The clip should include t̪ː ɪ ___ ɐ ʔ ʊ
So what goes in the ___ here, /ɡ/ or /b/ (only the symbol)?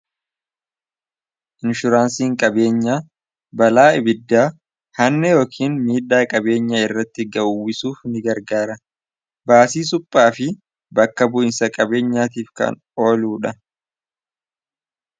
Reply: ɡ